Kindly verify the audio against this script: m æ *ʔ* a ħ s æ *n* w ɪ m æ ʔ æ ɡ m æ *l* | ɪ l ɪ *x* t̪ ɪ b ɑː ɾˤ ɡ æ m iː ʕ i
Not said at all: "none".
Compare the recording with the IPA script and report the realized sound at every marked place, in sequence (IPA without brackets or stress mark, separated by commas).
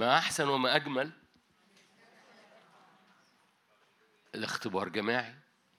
ʔ, n, l, x